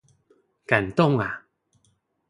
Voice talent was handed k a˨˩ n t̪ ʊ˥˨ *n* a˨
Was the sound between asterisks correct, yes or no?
no